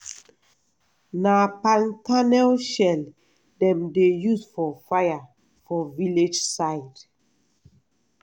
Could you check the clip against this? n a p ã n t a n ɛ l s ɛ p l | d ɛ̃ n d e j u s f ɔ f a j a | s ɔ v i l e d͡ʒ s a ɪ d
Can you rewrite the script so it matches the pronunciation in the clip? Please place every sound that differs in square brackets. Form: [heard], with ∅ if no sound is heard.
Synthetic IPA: n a p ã n t a n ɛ l [ʃ] ɛ [∅] l | d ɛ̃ [m] d e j u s f ɔ f a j a | [f] ɔ v i l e d͡ʒ s a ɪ d

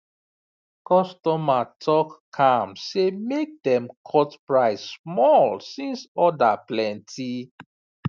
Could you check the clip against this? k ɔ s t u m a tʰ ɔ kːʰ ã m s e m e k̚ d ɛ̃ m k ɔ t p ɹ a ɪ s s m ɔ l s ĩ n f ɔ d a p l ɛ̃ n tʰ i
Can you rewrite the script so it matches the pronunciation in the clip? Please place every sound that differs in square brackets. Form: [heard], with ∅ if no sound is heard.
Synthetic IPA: k ɔ s t [ɔ] m a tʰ ɔ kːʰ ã m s e m e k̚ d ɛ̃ m [kʰ] ɔ t p ɹ a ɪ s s m ɔ l s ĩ n [s] ɔ d a p l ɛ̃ n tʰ i

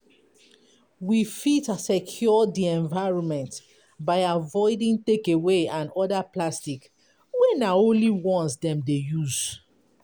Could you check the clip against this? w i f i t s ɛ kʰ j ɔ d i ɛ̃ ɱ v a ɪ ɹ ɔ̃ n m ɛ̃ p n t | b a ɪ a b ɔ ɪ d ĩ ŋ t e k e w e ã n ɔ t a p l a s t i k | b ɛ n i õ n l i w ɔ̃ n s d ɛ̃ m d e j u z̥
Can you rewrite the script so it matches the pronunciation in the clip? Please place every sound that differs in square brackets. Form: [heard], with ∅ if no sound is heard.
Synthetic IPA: w i f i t s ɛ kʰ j ɔ d i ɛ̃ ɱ v a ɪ ɹ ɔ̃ n m ɛ̃ [∅] n t | b a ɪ a [v] ɔ ɪ d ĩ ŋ t e k e w e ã n ɔ [d] a p l a s t i k | [w] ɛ n [a] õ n l i w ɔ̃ n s d ɛ̃ m d e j u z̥

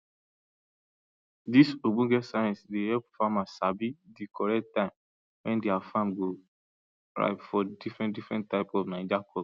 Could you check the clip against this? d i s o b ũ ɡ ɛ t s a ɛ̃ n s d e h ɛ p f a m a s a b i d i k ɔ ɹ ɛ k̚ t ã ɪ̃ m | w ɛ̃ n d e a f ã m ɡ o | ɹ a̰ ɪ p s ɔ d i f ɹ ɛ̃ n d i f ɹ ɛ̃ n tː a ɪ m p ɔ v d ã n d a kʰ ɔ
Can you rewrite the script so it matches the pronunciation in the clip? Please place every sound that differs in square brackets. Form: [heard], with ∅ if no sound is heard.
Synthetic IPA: d i s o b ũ ɡ ɛ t s a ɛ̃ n s d e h ɛ p f a m a s a b i d i k ɔ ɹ ɛ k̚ t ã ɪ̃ m | w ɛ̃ n d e a f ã m ɡ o | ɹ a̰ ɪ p [f] ɔ d i f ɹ ɛ̃ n d i f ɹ ɛ̃ n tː a ɪ [∅] p ɔ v [n] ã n [d͡ʒ] a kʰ ɔ

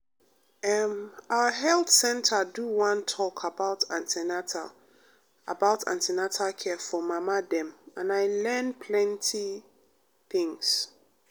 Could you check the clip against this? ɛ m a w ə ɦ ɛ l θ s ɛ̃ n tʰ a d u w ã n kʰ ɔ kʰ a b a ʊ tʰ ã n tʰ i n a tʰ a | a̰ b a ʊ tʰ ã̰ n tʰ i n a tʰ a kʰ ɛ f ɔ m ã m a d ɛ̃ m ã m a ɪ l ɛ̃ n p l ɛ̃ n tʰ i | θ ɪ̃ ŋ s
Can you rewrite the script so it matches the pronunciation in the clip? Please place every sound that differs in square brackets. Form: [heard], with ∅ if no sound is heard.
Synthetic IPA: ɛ m a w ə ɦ ɛ l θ s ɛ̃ n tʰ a d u w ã n [tʰ] ɔ kʰ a b a ʊ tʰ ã n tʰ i n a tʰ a | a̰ b a ʊ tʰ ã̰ n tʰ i n a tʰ a kʰ ɛ f ɔ m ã m a d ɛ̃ m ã [n] a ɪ l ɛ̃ n [pʰ] l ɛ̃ n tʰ i | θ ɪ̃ ŋ s

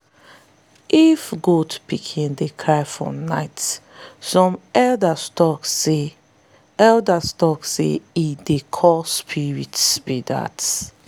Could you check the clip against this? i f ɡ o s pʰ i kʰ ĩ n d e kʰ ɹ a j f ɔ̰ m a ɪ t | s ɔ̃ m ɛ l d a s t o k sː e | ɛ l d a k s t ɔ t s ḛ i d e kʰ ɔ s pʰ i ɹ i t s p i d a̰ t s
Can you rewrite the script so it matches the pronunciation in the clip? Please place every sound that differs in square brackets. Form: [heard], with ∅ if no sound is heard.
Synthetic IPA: i f ɡ o [t] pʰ i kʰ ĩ n d e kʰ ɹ a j f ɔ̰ [n] a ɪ t | s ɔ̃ m ɛ l d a s t [ɔ] k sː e | ɛ l d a [∅] s t ɔ [k] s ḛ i d e kʰ ɔ s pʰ i ɹ i t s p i d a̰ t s

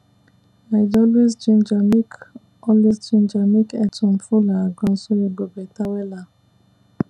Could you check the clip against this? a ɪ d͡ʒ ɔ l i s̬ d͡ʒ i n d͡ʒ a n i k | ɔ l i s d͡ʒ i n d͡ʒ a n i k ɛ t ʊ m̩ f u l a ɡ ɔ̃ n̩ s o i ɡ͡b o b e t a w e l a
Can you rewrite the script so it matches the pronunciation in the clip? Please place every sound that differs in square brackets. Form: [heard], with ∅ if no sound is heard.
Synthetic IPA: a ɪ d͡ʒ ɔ l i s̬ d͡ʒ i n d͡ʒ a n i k | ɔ l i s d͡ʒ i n d͡ʒ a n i k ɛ t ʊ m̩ f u l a ɡ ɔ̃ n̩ s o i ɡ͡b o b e t a w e l a

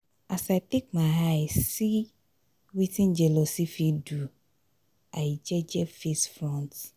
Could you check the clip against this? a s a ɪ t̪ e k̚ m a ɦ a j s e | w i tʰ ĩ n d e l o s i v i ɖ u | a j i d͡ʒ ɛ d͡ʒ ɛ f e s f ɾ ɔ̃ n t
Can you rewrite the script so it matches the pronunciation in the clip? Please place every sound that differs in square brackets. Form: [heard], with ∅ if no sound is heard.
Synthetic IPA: a s a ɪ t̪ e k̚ m a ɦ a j s [i] | w i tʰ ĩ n [d͡ʒ] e l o s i [f] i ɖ u | a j i d͡ʒ ɛ d͡ʒ ɛ f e s f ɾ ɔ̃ n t

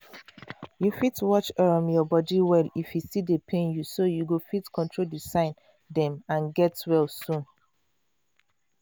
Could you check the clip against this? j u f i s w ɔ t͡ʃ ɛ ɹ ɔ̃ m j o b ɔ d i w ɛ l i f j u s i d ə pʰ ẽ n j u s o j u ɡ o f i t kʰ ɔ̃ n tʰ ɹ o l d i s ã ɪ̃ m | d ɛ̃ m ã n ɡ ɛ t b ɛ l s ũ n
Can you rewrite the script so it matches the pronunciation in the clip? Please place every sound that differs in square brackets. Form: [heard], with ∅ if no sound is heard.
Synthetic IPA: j u f i [t] w ɔ t͡ʃ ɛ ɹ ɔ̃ m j [ɔ] b ɔ d i w ɛ l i f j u s i d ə pʰ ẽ n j u s o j u ɡ o f i t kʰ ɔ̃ n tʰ ɹ o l d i s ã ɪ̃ [n] | d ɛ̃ m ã n ɡ ɛ t [w] ɛ l s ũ n

